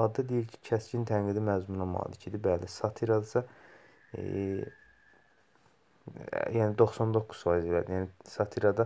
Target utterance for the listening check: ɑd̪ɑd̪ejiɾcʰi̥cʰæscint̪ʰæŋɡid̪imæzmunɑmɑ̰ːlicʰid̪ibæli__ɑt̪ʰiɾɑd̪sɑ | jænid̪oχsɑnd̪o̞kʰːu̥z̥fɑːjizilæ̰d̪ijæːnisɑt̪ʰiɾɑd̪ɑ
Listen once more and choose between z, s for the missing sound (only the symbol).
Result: s